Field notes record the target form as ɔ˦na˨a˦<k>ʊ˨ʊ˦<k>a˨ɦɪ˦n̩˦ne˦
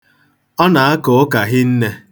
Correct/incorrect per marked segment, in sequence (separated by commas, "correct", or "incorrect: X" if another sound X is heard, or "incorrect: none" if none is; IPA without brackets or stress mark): correct, correct